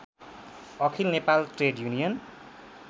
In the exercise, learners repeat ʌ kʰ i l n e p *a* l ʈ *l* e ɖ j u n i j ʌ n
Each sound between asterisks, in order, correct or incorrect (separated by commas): correct, incorrect